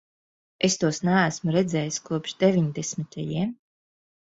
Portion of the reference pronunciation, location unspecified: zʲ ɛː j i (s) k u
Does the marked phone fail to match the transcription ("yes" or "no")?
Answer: no